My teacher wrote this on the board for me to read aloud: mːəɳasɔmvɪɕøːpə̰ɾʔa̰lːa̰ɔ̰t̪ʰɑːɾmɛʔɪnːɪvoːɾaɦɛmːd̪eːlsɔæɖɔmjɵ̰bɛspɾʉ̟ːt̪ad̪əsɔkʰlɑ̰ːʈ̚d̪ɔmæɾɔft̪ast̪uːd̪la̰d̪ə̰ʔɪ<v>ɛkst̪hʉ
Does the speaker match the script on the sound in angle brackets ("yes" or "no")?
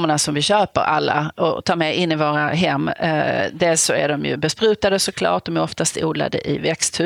yes